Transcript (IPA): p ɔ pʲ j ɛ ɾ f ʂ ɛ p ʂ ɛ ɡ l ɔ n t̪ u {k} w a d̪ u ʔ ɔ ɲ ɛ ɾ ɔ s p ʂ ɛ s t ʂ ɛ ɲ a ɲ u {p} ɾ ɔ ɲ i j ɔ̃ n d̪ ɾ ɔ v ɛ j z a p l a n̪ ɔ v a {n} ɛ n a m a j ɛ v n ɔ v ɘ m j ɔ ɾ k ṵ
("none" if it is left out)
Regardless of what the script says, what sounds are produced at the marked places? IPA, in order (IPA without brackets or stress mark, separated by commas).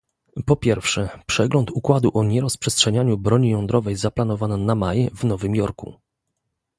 k, b, n